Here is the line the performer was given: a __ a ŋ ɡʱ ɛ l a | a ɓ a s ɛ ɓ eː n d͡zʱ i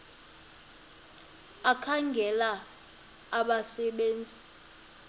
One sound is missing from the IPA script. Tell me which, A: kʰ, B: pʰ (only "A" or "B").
A